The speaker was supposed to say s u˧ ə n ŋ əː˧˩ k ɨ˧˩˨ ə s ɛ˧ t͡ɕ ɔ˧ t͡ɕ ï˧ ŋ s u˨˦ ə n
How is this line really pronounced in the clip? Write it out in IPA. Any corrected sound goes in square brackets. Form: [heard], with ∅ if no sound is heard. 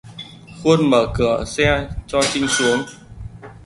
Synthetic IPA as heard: [x] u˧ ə n [m] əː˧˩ k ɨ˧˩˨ ə s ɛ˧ t͡ɕ ɔ˧ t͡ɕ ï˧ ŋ s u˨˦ ə [ŋ]